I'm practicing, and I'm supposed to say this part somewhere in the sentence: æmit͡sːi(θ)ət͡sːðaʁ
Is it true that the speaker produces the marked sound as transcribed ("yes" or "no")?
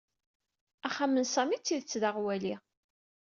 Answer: no